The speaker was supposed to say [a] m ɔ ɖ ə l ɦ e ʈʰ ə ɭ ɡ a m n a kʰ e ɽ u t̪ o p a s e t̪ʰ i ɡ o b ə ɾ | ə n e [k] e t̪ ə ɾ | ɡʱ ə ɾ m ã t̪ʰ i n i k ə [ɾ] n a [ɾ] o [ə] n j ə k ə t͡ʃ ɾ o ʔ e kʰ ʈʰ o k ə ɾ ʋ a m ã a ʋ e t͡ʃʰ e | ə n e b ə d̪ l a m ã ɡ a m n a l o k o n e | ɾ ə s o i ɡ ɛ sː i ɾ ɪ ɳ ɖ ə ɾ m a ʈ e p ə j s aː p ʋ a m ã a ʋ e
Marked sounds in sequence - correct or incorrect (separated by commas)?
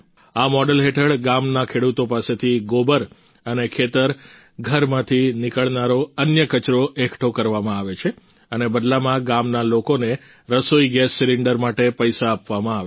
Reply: correct, incorrect, incorrect, correct, correct